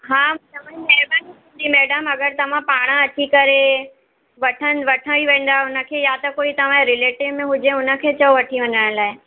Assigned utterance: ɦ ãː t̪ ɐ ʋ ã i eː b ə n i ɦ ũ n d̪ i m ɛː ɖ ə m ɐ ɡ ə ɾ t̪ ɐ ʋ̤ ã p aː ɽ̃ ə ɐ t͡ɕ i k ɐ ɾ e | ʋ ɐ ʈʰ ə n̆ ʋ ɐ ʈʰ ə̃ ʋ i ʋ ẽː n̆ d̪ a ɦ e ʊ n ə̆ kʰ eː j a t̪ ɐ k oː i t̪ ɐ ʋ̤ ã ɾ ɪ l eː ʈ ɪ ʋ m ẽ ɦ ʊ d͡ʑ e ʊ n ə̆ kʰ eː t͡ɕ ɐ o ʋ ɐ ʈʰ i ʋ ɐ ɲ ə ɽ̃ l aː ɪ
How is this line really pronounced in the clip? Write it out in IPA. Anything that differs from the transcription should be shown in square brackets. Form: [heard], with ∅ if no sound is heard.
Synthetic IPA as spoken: ɦ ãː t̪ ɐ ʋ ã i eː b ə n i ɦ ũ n d̪ i m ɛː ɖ ə m ɐ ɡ ə ɾ t̪ ɐ ʋ̤ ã p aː ɽ̃ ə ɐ t͡ɕ i k ɐ ɾ e | ʋ ɐ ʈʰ ə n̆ ʋ ɐ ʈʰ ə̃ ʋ i ʋ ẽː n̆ d̪ a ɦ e ʊ n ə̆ kʰ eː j a t̪ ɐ k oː i t̪ ɐ ʋ̤ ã ɾ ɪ l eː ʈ ɪ ʋ m ẽ ɦ ʊ d͡ʑ e ʊ n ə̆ kʰ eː t͡ɕ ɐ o ʋ ɐ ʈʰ i ʋ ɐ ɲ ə ɽ̃ l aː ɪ